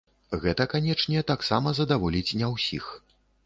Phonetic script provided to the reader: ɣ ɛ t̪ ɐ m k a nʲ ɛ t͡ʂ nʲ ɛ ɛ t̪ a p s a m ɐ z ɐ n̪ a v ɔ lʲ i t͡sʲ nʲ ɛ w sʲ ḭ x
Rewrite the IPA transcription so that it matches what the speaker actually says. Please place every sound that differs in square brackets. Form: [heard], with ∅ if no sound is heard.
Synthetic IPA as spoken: ɣ ɛ t̪ ɐ [∅] k a nʲ ɛ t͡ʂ nʲ ɛ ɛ t̪ a [k] s a m ɐ z ɐ [d̪] a v ɔ lʲ i t͡sʲ nʲ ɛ w sʲ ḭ x